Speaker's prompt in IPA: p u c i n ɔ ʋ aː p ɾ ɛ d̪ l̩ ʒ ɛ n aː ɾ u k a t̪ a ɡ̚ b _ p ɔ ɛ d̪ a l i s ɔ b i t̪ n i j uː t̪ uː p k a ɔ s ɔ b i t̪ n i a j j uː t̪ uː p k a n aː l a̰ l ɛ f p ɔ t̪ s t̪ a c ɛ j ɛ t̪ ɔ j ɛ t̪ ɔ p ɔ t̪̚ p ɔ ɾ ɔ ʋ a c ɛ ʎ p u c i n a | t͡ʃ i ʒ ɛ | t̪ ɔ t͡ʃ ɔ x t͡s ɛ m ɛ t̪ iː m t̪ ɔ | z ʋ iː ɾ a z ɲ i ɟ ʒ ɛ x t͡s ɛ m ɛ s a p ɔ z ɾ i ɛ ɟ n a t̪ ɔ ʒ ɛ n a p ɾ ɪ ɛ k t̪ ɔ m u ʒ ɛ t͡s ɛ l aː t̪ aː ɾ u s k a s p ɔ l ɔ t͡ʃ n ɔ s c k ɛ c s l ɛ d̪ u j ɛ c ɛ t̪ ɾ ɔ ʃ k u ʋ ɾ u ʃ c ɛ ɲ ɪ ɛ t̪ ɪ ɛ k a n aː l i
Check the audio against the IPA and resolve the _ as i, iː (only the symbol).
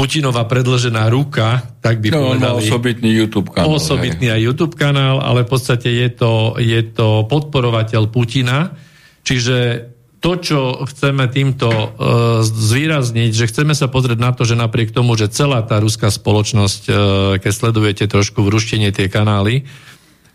i